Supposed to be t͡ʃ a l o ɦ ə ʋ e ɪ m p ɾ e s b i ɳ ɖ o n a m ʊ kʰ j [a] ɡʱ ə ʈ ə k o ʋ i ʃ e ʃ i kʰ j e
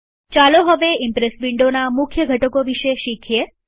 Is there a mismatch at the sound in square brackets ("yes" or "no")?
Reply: yes